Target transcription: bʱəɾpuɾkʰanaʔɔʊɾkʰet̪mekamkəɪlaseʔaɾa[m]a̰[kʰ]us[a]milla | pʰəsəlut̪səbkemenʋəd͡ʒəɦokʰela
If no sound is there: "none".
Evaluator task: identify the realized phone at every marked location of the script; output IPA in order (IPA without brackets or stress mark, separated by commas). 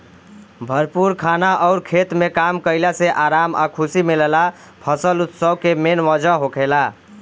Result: m, kʰ, i